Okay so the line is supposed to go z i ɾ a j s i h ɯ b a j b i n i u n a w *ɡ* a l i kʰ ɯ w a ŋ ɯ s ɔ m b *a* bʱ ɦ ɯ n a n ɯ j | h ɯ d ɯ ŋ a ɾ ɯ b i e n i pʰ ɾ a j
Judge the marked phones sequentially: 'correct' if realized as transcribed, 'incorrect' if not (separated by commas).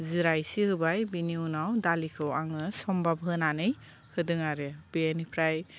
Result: incorrect, correct